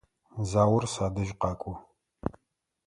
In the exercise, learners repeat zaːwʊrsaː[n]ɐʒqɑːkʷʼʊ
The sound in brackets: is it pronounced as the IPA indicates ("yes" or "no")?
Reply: no